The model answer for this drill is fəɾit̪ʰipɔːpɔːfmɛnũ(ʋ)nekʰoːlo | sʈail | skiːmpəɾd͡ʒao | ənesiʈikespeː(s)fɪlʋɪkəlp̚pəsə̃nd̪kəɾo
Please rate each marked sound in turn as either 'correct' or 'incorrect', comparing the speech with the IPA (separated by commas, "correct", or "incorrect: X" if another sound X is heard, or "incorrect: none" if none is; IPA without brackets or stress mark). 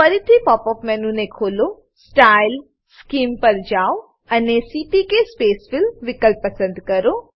incorrect: none, correct